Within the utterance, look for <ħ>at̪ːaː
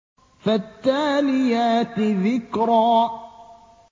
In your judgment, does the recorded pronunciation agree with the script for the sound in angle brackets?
no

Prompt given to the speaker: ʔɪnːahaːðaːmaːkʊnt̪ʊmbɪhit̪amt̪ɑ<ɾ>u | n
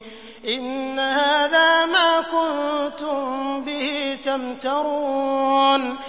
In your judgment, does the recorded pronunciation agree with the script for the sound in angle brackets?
yes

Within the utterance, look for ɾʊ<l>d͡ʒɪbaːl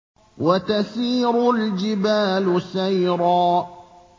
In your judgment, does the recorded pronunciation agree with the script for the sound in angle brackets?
yes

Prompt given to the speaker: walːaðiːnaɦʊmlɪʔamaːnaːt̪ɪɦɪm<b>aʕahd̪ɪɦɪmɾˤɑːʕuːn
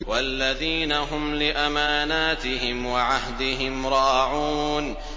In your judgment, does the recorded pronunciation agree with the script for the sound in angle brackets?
no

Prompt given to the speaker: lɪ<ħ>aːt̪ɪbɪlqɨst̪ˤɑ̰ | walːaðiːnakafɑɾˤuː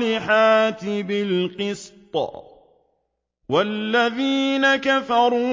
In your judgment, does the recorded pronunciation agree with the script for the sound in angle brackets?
yes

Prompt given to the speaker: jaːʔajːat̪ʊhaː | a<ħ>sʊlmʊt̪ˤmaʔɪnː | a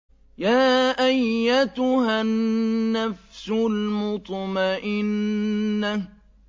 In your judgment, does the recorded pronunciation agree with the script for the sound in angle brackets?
no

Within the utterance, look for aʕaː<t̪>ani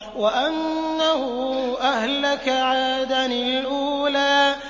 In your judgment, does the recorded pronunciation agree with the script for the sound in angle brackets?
no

